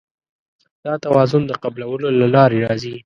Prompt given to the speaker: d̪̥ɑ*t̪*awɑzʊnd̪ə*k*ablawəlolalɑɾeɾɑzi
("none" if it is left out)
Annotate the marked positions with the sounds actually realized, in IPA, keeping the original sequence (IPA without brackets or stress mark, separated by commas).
t̪, q